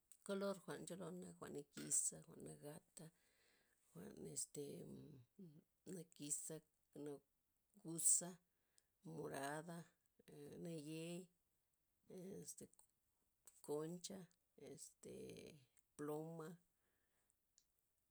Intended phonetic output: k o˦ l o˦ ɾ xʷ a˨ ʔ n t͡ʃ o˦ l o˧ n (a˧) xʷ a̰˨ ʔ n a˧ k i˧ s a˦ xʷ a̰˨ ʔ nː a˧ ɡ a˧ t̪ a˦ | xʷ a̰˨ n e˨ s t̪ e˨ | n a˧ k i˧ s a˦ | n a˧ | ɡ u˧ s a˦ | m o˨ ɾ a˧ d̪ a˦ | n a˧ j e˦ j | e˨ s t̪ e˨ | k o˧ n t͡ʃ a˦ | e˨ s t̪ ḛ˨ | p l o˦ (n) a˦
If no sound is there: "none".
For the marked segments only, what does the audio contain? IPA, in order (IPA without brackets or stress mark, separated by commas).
a˧, m